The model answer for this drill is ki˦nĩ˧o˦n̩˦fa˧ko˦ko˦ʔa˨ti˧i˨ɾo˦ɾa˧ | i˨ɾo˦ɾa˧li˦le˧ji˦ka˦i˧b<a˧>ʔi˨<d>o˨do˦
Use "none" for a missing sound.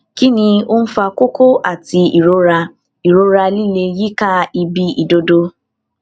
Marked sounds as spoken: i˧, d

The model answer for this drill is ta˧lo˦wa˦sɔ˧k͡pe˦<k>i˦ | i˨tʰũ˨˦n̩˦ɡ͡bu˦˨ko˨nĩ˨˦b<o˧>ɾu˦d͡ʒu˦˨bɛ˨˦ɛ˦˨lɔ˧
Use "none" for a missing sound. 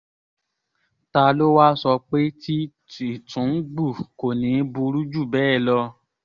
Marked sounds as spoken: t, u˧

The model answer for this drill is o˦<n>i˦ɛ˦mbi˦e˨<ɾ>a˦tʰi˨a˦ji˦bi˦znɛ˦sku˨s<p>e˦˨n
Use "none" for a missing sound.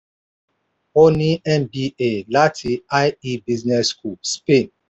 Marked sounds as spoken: n, l, p

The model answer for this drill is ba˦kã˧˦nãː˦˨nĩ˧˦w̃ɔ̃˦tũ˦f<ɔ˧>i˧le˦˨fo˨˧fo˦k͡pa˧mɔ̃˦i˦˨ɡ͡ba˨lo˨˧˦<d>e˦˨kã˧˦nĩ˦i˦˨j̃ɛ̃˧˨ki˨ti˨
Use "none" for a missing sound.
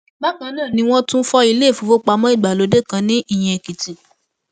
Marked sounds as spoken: ɔ˧, d

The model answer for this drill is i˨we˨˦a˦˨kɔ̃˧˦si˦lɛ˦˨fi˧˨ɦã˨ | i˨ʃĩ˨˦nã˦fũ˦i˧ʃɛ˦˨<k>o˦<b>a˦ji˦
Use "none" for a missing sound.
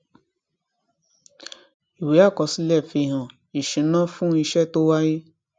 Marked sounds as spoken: t, w

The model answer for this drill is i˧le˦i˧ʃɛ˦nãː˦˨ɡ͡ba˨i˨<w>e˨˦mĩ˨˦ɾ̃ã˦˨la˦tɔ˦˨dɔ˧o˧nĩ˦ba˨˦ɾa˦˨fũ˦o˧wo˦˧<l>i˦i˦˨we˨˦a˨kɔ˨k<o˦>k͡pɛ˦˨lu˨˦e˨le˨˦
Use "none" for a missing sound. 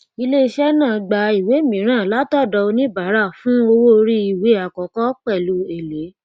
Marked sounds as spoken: w, ɾ, ɔ˦

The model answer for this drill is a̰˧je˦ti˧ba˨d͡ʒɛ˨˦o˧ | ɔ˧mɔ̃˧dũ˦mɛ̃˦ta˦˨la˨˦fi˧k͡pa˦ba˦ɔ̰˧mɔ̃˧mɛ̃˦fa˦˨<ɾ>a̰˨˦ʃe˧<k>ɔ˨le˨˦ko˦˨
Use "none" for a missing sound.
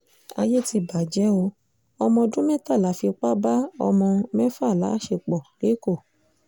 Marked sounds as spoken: l, k͡p

